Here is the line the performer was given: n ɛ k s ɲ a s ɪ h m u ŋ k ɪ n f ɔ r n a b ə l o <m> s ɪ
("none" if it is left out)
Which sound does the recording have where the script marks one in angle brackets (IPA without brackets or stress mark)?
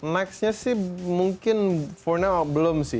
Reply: m